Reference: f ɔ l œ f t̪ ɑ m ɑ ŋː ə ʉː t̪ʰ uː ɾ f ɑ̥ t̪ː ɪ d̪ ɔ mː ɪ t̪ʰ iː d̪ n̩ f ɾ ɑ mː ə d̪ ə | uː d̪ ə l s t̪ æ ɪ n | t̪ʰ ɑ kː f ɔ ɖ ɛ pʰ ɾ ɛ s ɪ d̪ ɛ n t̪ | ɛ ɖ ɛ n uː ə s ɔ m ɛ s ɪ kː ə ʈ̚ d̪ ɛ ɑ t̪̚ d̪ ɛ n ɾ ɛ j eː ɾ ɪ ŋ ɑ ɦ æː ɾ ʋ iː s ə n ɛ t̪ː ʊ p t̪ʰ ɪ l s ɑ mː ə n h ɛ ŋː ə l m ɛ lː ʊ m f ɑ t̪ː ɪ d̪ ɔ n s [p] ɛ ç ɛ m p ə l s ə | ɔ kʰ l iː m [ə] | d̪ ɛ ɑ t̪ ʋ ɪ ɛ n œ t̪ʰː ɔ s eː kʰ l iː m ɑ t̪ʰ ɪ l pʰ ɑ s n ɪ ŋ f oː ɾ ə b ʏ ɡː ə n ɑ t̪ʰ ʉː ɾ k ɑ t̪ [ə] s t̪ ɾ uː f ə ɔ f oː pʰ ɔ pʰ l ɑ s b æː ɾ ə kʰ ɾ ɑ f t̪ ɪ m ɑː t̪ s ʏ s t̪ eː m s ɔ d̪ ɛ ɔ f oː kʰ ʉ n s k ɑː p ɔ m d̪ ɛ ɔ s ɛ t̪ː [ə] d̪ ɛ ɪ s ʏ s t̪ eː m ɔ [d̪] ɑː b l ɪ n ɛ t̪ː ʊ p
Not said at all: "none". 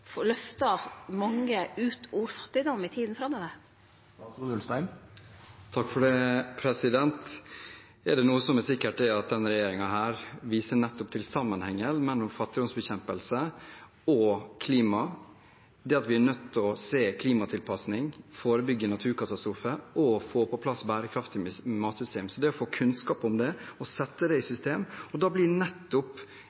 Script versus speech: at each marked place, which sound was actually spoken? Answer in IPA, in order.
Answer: b, ɑ, ɑ, ə, d̪

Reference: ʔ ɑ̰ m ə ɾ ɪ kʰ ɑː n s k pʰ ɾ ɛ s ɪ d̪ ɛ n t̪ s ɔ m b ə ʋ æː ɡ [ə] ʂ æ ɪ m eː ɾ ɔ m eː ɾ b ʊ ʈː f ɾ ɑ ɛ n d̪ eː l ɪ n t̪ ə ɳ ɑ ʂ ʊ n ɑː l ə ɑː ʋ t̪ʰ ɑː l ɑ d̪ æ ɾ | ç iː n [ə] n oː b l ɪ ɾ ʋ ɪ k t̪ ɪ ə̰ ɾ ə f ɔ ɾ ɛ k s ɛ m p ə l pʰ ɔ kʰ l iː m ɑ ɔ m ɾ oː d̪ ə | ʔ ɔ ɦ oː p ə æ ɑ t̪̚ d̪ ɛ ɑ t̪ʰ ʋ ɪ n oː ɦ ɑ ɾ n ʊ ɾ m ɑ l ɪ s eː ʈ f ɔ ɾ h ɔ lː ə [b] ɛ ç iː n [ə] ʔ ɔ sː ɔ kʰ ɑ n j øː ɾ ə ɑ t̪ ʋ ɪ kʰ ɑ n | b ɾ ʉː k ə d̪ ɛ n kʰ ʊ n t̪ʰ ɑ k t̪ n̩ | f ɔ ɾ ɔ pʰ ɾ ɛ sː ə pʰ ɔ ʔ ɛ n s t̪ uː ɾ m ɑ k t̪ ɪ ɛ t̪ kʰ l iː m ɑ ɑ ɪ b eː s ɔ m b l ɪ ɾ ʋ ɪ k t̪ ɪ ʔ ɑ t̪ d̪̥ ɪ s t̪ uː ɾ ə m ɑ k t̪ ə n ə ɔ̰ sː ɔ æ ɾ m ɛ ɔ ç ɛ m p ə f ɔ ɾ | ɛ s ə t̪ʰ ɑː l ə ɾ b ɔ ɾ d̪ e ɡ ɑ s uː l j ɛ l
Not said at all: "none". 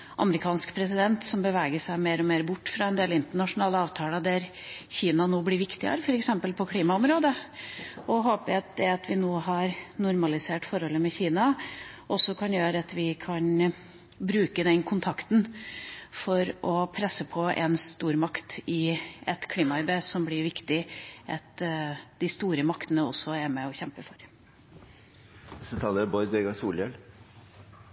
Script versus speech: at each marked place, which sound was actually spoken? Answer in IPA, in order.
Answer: ə, ɑ, m, ɑ

